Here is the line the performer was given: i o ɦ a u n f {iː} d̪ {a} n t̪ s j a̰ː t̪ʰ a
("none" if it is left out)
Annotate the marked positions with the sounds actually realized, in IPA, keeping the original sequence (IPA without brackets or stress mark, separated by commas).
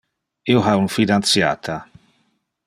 i, a